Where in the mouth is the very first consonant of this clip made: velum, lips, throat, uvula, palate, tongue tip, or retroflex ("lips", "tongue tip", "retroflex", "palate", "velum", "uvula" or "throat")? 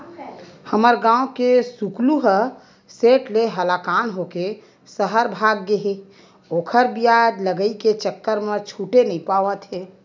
throat